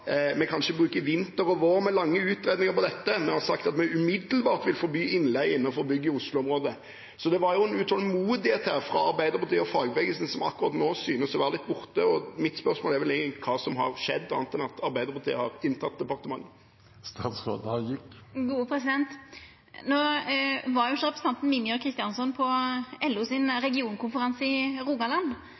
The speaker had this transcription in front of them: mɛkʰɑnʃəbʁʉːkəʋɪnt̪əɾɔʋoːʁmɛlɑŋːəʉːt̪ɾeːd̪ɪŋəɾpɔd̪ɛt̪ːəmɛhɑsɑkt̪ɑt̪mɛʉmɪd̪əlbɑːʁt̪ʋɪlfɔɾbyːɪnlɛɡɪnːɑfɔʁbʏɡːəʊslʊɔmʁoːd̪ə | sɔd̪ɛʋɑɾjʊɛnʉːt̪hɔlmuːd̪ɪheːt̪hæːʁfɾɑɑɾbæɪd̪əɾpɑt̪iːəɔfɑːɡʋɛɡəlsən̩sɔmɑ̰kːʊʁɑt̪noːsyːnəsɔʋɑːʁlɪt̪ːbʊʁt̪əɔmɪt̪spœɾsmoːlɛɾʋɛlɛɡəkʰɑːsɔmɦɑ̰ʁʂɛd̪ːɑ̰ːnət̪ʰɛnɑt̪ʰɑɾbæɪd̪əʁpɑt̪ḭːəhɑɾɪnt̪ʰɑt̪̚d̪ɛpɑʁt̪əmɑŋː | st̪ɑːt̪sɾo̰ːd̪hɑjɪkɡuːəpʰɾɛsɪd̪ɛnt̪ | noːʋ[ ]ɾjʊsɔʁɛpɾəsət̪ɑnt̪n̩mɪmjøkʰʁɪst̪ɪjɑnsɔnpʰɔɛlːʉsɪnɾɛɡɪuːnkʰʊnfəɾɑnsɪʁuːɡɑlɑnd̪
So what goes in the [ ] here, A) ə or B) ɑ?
B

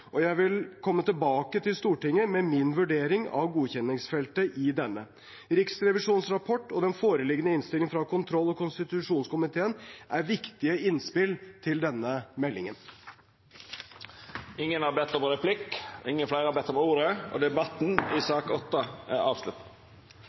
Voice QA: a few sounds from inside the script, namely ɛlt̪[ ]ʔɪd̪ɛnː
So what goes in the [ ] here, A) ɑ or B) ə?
B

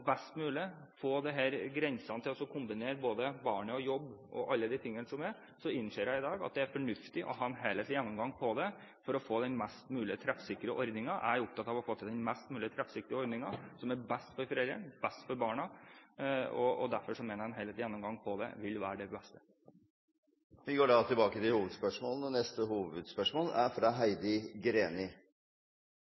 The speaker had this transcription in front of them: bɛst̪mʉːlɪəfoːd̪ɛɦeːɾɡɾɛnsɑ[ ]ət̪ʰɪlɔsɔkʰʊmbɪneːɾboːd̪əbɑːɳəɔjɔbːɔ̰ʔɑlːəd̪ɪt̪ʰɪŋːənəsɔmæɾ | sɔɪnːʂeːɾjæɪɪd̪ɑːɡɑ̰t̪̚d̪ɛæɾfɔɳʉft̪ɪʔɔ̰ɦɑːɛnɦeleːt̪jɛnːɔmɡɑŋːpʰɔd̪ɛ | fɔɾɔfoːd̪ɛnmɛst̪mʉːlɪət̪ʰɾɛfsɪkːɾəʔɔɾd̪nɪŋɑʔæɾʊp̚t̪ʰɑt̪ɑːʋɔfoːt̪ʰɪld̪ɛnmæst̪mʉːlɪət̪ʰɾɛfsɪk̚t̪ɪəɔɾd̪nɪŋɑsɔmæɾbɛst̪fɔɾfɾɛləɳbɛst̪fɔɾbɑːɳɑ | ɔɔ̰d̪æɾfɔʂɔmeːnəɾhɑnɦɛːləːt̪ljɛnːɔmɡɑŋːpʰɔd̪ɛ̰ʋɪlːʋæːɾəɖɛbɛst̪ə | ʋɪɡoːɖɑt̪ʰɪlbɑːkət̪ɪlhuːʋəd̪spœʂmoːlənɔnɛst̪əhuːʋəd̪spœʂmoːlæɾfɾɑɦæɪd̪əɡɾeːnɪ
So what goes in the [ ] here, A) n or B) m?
A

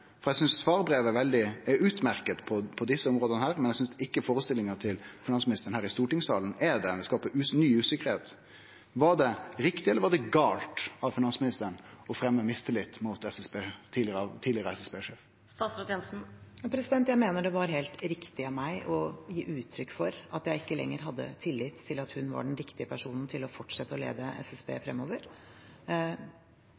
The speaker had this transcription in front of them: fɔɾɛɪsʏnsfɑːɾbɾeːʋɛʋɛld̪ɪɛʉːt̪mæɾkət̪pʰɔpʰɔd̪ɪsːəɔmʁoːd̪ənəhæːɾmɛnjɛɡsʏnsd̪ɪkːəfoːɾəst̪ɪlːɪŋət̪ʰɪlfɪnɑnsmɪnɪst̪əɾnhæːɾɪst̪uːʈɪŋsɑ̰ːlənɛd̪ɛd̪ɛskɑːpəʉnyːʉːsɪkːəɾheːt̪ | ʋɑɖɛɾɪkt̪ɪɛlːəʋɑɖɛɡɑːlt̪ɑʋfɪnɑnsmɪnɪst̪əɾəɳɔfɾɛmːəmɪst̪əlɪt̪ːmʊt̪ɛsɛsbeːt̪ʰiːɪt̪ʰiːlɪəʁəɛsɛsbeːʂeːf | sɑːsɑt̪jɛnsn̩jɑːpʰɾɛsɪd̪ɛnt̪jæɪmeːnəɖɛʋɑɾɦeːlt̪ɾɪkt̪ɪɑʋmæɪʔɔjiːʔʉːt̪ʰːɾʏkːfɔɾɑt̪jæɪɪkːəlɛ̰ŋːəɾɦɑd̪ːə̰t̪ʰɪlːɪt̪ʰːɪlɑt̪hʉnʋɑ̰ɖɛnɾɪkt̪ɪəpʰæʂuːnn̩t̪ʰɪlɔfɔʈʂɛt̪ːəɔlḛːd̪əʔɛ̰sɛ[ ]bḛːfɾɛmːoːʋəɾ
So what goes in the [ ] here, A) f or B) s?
B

